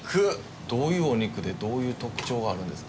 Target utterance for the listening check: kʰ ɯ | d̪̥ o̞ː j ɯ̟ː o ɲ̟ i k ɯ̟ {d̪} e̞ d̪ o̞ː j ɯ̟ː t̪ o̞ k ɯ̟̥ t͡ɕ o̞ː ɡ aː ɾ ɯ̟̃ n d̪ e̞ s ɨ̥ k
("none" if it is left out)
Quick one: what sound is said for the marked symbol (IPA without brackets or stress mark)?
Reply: d̪